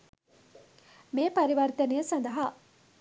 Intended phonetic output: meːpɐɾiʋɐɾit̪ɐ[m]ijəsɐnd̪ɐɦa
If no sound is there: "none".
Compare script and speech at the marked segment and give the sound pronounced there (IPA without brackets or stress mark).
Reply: n